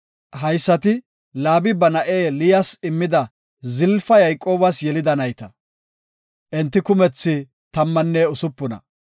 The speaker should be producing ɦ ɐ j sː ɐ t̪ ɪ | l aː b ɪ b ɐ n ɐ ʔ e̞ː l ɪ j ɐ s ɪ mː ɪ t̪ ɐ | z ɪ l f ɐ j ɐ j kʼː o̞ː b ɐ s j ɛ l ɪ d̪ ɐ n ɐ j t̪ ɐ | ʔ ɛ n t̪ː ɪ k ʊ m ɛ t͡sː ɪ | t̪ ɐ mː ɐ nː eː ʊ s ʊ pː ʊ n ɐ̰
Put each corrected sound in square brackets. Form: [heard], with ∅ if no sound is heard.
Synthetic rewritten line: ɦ ɐ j sː ɐ t̪ ɪ | l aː b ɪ b ɐ n ɐ ʔ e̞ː l ɪ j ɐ s ɪ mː ɪ [d̪] ɐ | z ɪ l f ɐ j ɐ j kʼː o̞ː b ɐ s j ɛ l ɪ d̪ ɐ n ɐ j t̪ ɐ | ʔ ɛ n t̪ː ɪ k ʊ m ɛ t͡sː ɪ | t̪ ɐ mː ɐ nː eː ʊ s ʊ pː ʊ n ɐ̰